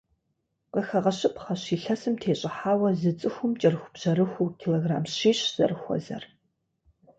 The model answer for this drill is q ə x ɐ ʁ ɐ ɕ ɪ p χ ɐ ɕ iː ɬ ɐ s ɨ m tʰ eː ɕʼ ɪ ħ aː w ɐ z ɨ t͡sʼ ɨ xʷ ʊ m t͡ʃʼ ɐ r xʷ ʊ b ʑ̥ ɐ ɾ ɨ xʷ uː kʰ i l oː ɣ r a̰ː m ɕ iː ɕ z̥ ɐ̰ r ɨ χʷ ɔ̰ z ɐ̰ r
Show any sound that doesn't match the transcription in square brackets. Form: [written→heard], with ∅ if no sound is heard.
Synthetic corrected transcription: q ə x ɐ ʁ ɐ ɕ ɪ p χ ɐ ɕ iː ɬ ɐ s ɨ m tʰ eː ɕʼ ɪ ħ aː w ɐ z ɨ t͡sʼ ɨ xʷ ʊ m t͡ʃʼ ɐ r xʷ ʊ b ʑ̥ ɐ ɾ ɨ xʷ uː kʰ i l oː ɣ r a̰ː m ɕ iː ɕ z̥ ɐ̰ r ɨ [χʷ→xʷ] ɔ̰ z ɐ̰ r